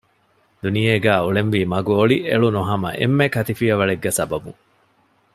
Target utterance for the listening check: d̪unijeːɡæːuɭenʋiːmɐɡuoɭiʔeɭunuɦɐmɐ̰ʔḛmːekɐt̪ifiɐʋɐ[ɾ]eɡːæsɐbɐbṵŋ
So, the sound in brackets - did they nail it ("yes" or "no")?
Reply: no